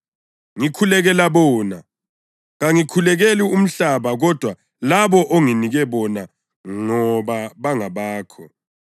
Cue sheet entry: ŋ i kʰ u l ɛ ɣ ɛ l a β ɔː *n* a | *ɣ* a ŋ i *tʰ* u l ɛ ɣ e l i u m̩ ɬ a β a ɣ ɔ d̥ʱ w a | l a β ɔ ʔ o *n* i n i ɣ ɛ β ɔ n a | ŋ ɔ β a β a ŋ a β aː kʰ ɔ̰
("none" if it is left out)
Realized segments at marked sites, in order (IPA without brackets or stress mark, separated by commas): n, ɣ, kʰ, ŋ